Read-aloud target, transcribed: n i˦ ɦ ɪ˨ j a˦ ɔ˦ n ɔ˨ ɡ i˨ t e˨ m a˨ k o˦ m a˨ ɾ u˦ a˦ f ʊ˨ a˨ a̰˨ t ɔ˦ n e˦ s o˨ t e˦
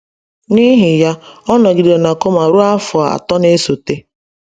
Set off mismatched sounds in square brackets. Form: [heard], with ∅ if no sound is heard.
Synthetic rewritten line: n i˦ ɦ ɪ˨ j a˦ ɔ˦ n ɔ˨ ɡ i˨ [d] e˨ [n] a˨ k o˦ m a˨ ɾ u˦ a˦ f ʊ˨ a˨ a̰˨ t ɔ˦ n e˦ s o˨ t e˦